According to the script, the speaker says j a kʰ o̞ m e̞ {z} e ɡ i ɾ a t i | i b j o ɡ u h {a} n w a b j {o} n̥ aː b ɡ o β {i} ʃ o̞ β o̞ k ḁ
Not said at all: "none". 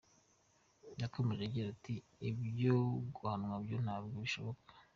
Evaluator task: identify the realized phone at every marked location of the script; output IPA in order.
ʒ, a, o, i

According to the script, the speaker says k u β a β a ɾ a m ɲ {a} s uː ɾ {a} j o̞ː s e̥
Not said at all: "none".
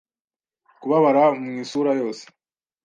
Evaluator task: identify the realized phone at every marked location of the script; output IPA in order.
i, a

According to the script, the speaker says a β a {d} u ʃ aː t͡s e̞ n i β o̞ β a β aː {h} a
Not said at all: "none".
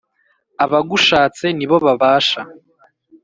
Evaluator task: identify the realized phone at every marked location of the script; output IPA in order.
ɡ, ʃ

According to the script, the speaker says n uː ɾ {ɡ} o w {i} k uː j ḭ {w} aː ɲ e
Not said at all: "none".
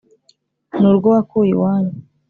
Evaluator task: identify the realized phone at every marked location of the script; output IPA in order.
ɡ, a, w

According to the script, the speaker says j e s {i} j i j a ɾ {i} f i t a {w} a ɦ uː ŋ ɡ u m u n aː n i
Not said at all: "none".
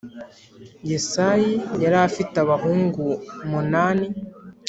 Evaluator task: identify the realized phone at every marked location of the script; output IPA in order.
a, a, β

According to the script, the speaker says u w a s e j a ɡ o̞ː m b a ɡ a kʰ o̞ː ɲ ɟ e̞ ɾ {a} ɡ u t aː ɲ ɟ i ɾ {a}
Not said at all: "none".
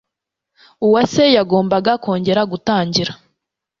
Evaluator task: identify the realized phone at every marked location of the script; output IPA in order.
a, a

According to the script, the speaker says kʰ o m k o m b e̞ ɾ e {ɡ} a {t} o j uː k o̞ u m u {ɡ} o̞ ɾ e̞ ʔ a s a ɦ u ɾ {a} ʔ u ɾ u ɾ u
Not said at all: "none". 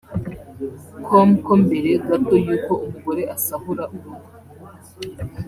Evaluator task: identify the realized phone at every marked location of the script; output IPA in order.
ɡ, t, ɡ, a

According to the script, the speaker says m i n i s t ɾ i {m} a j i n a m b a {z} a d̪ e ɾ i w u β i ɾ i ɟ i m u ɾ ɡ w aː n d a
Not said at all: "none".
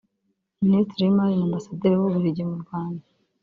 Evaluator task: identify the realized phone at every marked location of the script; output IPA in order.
m, s

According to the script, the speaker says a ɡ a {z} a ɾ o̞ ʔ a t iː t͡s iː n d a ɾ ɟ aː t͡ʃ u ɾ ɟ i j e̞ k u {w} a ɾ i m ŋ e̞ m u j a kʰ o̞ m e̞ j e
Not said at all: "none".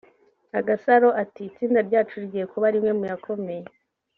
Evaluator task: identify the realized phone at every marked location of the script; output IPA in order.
s, β

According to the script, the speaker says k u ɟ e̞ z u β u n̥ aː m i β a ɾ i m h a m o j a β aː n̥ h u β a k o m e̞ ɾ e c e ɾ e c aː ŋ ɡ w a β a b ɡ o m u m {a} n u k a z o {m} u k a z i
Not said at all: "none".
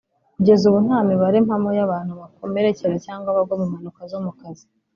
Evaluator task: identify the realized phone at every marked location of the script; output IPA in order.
a, m

